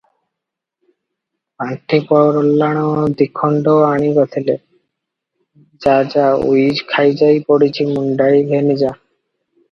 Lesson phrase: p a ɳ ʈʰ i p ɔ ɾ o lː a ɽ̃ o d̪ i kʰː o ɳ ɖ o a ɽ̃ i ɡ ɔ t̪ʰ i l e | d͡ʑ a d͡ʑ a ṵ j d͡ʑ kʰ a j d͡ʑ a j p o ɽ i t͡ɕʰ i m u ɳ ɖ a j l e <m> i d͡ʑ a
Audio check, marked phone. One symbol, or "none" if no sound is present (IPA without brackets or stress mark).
n